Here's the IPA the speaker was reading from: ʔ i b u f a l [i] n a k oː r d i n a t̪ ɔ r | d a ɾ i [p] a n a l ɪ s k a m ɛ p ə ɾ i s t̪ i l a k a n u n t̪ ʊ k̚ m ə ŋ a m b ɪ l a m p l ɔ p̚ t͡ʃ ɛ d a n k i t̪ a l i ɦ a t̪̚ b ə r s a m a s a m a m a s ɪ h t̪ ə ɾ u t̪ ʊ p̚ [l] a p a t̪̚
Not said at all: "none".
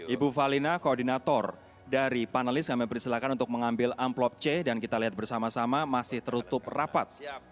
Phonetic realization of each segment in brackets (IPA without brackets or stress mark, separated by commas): i, p, r